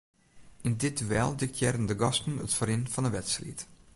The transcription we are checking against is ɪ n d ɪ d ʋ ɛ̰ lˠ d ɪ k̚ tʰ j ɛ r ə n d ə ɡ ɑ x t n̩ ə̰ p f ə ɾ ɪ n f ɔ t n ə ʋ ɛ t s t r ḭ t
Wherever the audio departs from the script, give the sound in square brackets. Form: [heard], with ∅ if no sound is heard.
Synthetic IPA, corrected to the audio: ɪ n d ɪ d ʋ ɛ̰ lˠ d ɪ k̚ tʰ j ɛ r ə n d ə ɡ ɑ [s] t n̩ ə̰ [t] f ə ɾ ɪ n f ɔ [∅] n ə ʋ ɛ t s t r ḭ t